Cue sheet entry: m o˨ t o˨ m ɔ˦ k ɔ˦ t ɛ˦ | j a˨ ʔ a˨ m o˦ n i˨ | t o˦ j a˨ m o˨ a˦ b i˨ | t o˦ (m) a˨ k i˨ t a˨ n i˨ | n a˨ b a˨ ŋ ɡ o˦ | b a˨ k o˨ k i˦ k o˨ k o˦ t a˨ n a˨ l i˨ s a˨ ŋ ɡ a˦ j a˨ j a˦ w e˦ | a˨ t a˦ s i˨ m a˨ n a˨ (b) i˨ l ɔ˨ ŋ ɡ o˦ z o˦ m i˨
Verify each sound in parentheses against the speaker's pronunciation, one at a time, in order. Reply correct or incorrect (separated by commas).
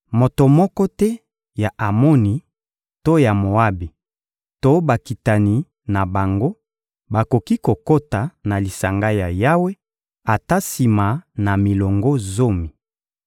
incorrect, incorrect